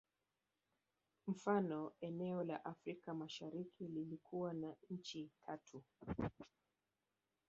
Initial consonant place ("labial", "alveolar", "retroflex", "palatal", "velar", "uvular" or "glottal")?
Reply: labial